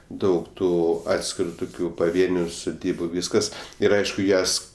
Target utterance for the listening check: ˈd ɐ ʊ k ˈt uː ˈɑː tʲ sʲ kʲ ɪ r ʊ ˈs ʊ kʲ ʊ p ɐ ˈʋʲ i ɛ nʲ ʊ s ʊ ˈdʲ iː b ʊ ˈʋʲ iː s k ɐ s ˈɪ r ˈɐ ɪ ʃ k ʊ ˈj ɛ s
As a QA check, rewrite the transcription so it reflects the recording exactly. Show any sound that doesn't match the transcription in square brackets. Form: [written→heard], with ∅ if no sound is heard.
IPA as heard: ˈd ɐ ʊ k ˈt uː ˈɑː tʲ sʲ kʲ ɪ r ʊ [ˈs→ˈt] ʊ kʲ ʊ p ɐ ˈʋʲ i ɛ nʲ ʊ s ʊ ˈdʲ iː b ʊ ˈʋʲ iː s k ɐ s ˈɪ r ˈɐ ɪ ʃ k ʊ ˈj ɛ s